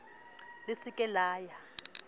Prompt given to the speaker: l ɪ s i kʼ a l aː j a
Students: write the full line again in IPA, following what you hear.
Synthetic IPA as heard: l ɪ s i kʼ ɛ l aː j a

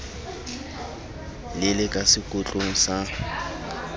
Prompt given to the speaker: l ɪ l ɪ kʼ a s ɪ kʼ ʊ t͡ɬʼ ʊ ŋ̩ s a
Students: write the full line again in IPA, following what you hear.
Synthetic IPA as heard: l ɪ l ɪ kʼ a s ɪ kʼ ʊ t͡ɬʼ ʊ ŋ̩ s a

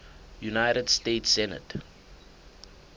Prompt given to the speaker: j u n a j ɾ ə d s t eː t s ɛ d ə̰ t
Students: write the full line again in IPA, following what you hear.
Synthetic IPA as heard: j u n a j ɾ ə d s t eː t s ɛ n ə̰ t

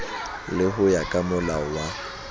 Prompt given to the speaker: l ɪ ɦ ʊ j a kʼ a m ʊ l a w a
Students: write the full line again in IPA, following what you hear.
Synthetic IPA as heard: l ɪ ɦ ʊ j a kʼ a m ʊ l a w a

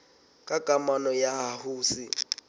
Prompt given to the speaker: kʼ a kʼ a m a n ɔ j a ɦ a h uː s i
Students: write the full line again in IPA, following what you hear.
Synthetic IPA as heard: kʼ a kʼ a m a n ɔ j a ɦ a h uː s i

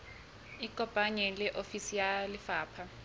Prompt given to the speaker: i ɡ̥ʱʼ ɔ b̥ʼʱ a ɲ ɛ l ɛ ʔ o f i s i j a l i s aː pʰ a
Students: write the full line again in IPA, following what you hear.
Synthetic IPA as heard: i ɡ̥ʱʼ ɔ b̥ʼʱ a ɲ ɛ l ɛ ʔ o f i s i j a l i f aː pʰ a

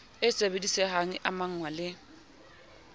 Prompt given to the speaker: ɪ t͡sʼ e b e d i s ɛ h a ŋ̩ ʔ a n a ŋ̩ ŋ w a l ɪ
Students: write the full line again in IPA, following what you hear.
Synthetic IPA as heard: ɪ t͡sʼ e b e d i s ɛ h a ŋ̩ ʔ a m a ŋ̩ ŋ w a l ɪ

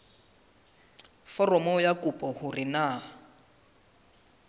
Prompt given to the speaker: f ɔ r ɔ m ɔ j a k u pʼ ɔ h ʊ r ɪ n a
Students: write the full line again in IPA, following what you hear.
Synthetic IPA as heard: f ɔ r ɔ m ɔ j a k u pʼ ɔ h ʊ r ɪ n a

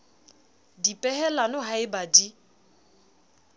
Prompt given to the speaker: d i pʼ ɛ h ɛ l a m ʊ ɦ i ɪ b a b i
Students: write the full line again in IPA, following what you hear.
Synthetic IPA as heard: d i pʼ ɛ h ɛ l a n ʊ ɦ a ɪ b a d i

